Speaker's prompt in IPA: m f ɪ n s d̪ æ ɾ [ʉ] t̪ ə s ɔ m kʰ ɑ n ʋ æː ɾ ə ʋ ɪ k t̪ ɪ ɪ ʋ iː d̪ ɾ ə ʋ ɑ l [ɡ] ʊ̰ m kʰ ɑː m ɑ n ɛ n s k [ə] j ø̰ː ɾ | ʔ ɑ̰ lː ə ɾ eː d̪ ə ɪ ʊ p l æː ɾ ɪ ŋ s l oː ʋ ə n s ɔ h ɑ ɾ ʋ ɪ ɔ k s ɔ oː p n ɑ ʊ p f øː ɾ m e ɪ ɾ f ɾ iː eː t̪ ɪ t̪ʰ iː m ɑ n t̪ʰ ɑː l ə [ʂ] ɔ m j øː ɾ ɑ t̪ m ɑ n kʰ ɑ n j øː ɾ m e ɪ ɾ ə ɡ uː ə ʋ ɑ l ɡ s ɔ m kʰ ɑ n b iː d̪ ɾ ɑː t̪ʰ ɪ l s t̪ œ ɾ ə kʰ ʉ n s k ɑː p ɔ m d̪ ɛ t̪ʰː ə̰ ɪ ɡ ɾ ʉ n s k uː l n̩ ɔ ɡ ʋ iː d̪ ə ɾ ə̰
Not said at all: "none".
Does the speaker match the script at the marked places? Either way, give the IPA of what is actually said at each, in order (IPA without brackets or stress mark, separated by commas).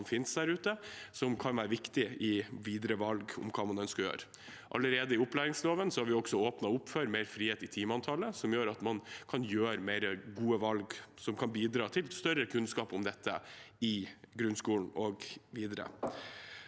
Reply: ʉː, ɡ, ɑ, s